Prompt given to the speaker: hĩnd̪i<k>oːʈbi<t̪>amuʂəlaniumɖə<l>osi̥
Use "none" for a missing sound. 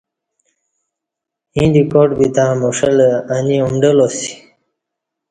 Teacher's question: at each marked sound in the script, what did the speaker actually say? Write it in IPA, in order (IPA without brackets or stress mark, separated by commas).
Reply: k, t̪, l